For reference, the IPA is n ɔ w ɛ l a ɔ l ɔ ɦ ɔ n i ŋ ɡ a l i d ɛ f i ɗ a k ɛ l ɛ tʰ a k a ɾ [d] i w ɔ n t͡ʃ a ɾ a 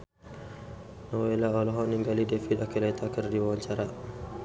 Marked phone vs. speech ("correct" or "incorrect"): correct